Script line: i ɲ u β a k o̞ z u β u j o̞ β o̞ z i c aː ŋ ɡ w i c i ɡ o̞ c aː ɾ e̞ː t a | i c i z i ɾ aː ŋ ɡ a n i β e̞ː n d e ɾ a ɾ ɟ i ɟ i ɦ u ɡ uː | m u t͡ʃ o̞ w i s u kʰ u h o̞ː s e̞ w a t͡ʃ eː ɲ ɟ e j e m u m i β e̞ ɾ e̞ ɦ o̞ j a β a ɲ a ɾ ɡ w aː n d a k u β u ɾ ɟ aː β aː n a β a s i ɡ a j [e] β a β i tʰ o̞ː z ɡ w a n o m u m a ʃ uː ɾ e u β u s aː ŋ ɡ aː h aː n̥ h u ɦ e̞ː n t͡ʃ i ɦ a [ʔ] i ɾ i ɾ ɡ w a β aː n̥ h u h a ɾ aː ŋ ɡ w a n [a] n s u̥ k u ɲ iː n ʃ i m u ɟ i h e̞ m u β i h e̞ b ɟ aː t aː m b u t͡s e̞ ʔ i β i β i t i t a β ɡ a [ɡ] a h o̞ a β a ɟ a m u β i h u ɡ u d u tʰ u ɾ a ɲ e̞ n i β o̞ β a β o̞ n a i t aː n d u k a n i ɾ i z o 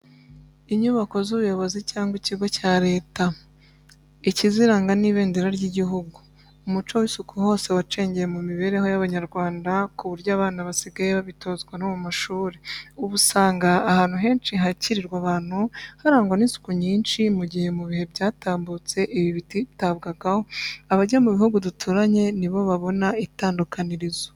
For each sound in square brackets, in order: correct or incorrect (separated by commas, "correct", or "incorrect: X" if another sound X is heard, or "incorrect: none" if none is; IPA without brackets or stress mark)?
correct, incorrect: c, incorrect: i, correct